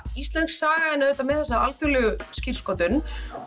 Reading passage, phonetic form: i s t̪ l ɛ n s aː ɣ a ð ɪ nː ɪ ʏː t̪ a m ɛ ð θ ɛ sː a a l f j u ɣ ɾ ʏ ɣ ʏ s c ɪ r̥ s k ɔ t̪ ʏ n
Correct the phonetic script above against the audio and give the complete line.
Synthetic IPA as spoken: i s t̪ l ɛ n s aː ɣ a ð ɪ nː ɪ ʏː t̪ a m ɛ ð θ ɛ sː a a l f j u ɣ l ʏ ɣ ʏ s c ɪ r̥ s k ɔ t̪ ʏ n